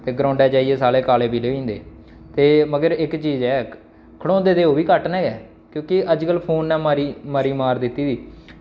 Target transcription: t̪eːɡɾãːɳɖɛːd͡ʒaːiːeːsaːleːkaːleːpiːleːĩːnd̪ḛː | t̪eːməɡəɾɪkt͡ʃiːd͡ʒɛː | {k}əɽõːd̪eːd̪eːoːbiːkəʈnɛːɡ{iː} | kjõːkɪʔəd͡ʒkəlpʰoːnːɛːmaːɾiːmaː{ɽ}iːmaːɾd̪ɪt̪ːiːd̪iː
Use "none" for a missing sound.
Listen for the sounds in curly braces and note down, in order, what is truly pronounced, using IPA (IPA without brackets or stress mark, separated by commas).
kʰ, ɛː, ɾ